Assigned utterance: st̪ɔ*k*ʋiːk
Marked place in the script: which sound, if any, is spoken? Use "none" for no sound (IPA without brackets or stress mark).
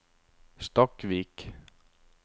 k